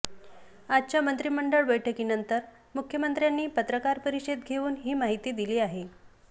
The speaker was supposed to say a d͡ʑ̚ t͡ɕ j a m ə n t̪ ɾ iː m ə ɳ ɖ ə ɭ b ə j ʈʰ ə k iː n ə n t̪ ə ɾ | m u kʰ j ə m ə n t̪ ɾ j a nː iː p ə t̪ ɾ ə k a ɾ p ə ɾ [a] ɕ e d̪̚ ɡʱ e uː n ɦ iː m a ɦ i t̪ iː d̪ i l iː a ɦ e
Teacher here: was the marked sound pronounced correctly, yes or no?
no